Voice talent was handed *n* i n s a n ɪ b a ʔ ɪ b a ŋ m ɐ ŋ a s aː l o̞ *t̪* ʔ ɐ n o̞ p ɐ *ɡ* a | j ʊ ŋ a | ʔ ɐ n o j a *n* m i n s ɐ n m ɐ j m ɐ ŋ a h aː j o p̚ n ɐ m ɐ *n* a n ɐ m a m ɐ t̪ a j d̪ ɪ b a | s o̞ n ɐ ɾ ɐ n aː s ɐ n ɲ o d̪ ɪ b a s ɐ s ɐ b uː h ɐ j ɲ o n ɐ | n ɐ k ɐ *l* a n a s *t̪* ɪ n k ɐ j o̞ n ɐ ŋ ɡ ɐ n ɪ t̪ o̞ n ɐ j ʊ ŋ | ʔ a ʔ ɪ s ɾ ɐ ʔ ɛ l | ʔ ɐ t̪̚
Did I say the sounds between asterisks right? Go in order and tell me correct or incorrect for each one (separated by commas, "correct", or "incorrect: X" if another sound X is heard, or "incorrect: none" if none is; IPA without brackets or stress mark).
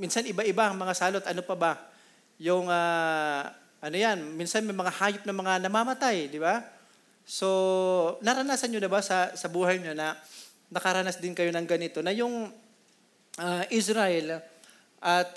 incorrect: m, correct, incorrect: b, correct, incorrect: ŋ, incorrect: ɾ, incorrect: d̪